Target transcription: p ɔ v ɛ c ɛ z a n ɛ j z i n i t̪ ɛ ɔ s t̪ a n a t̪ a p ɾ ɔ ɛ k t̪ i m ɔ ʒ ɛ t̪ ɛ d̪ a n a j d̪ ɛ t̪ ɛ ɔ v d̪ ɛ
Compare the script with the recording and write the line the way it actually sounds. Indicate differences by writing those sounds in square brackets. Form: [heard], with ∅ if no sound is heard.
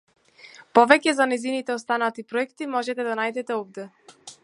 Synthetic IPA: p ɔ v ɛ c ɛ z a n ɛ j z i n i t̪ ɛ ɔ s t̪ a n a t̪ [i] p ɾ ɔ ɛ k t̪ i m ɔ ʒ ɛ t̪ ɛ d̪ a n a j d̪ ɛ t̪ ɛ ɔ v d̪ ɛ